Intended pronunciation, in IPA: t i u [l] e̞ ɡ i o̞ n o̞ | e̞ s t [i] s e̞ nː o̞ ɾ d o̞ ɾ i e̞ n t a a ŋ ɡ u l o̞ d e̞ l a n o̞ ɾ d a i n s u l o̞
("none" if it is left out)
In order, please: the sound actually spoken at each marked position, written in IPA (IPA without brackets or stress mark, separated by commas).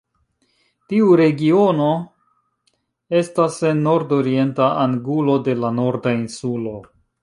ɾ, a